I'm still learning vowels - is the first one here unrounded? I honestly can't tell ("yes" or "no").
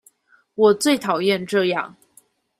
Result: no